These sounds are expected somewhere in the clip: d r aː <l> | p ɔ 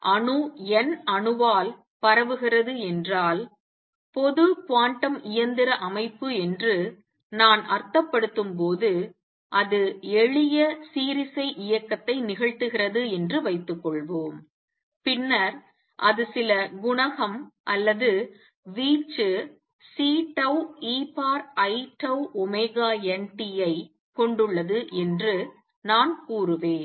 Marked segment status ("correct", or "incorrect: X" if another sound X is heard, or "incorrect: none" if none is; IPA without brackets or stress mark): correct